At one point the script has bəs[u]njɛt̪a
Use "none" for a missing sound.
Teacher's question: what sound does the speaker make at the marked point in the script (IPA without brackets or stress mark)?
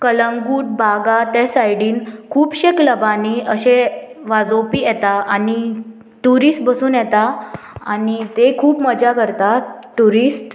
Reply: uː